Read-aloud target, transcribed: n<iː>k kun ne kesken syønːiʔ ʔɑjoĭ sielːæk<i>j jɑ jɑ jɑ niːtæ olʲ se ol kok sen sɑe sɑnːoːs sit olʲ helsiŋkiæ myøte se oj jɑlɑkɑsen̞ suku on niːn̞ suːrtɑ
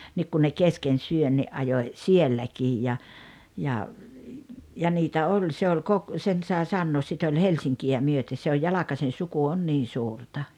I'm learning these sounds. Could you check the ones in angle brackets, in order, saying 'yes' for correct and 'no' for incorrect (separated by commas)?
no, no